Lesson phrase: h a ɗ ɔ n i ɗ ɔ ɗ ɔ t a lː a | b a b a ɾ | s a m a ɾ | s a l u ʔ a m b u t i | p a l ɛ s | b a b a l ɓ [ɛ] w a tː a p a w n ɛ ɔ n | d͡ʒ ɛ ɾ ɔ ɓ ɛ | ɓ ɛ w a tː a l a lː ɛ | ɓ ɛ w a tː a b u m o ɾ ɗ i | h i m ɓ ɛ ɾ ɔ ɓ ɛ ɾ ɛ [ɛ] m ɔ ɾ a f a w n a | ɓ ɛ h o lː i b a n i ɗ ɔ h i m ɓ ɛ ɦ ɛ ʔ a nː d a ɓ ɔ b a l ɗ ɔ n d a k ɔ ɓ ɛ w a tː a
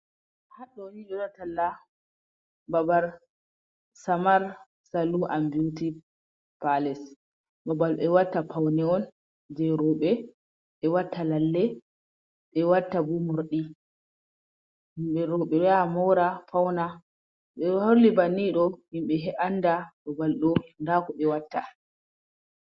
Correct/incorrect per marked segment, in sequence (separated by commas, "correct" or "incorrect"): correct, incorrect